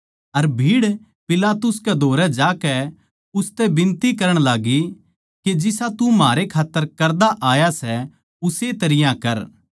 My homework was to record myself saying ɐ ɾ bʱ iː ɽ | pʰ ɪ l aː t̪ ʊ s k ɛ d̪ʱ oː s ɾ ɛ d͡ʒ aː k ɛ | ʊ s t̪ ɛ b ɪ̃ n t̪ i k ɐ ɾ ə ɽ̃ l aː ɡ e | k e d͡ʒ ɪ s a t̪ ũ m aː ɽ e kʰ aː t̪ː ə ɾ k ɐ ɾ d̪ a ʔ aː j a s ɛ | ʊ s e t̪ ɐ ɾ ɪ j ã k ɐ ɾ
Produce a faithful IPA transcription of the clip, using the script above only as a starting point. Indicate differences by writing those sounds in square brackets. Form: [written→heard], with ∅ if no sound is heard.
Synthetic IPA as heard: ɐ ɾ bʱ iː ɽ | [pʰ→p] ɪ l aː t̪ ʊ s k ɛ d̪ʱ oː [s→∅] ɾ ɛ d͡ʒ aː k ɛ | ʊ s t̪ ɛ b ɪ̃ n t̪ i k ɐ ɾ ə ɽ̃ l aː ɡ [e→i] | k e d͡ʒ ɪ s a t̪ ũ m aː [ɽ→ɾ] e kʰ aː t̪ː ə ɾ k ɐ ɾ d̪ a ʔ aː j a s ɛ | ʊ s e t̪ ɐ ɾ ɪ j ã k ɐ ɾ